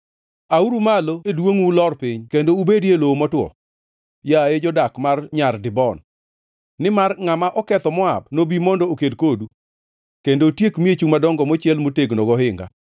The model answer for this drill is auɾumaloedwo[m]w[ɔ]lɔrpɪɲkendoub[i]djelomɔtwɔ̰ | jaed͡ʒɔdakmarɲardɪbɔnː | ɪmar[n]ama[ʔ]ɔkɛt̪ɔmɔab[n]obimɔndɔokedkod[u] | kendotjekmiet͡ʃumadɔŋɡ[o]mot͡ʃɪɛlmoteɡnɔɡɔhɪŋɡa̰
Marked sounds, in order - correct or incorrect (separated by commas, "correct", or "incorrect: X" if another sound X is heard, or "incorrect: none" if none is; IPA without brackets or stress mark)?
incorrect: ŋ, incorrect: u, incorrect: e, incorrect: ŋ, correct, correct, correct, incorrect: ɔ